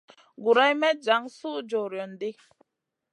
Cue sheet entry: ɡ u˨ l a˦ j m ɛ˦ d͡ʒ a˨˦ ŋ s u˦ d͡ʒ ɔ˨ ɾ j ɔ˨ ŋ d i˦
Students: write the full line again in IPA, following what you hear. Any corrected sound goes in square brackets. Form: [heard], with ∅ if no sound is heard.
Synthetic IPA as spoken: ɡ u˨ [ɾ] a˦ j m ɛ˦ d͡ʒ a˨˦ ŋ s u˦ d͡ʒ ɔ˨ ɾ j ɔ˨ [n] d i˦